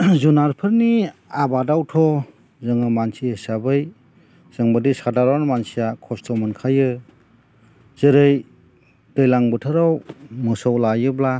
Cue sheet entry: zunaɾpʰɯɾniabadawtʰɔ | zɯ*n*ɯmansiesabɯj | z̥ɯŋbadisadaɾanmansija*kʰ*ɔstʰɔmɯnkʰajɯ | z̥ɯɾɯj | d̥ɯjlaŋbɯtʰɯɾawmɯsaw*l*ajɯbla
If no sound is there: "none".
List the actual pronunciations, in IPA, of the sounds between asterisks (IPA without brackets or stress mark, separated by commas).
ŋ, kʰ, l